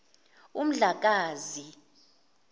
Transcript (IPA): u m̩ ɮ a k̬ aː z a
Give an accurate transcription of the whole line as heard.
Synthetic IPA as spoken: u m̩ ɮ a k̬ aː z i